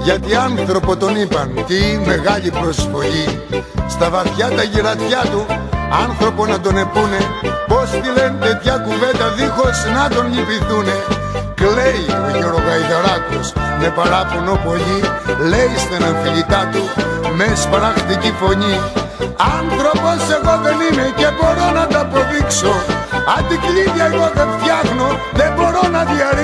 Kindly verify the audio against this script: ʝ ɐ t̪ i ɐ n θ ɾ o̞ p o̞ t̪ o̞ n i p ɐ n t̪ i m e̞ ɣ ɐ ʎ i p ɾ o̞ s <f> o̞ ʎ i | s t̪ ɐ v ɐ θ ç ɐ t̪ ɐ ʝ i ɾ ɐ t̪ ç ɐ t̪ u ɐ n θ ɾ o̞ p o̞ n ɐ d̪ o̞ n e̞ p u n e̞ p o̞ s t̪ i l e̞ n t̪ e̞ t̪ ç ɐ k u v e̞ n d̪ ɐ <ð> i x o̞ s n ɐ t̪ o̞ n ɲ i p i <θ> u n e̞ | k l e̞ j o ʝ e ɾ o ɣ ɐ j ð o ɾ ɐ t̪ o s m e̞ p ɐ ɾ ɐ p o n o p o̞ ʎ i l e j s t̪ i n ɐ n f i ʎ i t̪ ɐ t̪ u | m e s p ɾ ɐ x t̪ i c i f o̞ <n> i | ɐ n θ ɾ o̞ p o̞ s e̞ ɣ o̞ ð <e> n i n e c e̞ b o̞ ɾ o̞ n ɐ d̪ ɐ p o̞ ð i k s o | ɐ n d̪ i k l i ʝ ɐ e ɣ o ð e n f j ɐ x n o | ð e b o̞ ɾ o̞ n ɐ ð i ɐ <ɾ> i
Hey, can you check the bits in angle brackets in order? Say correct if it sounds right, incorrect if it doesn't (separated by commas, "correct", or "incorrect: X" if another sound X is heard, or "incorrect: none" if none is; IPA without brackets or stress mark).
correct, correct, correct, incorrect: ɲ, correct, correct